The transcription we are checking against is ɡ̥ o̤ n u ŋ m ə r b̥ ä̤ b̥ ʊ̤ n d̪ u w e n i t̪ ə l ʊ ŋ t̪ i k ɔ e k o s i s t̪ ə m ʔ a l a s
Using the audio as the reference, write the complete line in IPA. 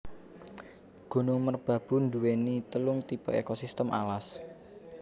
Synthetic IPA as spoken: ɡ̥ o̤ n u ŋ m ə r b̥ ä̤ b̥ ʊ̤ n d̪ u w e n i t̪ ə l ʊ ŋ t̪ i p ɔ e k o s i s t̪ ə m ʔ a l a s